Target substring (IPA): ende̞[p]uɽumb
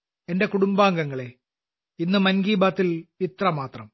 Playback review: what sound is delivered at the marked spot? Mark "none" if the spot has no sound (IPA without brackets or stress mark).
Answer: k